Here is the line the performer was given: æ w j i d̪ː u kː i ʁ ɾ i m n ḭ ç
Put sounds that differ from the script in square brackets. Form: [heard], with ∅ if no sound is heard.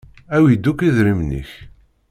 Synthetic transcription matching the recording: æ w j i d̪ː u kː i [ð] ɾ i m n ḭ ç